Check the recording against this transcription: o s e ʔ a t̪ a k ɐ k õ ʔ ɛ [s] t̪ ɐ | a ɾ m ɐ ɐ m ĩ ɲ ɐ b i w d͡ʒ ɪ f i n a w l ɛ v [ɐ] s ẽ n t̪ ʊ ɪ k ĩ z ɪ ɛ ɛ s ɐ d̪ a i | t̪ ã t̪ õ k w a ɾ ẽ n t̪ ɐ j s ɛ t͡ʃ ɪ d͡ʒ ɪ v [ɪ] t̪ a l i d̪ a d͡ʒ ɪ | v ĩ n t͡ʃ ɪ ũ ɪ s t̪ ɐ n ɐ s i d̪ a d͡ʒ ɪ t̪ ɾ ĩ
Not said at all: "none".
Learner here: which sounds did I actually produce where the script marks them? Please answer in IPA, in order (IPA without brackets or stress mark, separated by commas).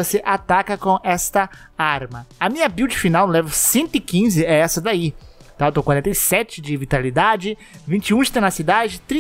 s, ɐ, i